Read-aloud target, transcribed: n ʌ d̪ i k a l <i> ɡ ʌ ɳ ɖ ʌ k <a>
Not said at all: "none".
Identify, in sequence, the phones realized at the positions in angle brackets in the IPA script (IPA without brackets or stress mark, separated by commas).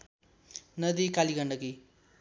i, i